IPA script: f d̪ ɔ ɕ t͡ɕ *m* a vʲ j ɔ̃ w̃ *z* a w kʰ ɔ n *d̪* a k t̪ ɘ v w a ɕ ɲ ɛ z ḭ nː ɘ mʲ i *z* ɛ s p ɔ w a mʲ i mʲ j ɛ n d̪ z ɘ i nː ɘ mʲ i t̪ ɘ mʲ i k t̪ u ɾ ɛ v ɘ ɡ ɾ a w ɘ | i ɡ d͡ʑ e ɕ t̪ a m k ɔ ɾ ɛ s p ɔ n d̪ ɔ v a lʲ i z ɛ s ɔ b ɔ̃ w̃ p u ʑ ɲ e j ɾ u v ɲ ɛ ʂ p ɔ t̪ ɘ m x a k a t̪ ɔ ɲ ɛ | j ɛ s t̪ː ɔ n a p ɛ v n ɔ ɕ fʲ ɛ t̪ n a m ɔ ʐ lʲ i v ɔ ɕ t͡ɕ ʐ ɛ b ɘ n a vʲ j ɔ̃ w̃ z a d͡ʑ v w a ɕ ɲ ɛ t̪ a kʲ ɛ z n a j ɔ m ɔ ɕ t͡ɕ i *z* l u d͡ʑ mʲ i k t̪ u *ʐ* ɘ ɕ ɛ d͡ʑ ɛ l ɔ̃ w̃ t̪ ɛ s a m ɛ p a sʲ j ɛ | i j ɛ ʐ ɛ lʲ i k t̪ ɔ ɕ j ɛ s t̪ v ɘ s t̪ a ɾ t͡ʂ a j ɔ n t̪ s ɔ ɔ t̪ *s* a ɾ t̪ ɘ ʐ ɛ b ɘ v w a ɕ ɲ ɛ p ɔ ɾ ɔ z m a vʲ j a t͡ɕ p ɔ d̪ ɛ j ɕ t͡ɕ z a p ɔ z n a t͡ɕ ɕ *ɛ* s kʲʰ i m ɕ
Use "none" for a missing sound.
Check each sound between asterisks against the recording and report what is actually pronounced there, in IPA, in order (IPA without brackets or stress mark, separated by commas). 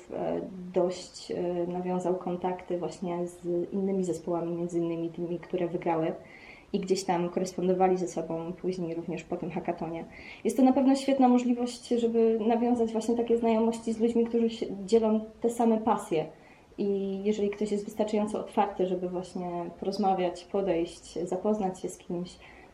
n, z, t̪, z, z, ʐ, f, ɛ